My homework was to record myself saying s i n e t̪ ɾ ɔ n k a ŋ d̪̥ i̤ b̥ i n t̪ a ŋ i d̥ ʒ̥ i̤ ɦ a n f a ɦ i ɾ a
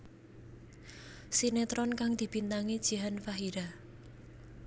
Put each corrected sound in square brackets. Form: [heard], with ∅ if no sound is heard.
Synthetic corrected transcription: s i n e t̪ ɾ ɔ n k a ŋ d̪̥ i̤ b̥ i n t̪ a ŋ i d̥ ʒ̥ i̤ ɦ a n f a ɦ i ɾ a